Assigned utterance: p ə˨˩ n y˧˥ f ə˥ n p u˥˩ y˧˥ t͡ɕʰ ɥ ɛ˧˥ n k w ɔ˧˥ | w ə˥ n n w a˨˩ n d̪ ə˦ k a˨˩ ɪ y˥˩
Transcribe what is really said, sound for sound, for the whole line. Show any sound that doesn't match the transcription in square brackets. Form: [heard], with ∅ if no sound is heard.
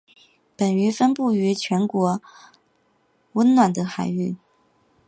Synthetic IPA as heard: p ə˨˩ n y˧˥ f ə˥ n p u˥˩ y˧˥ t͡ɕʰ ɥ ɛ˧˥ n k w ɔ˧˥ | w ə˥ n n w a˨˩ n d̪ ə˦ [x] a˨˩ ɪ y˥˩